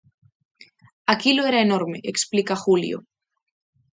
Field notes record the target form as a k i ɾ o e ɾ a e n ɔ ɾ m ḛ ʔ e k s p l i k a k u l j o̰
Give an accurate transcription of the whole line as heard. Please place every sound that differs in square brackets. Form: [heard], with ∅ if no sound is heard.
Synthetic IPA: a k i [l] o e ɾ a e n [o] ɾ m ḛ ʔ e k s p l i k a [x] u l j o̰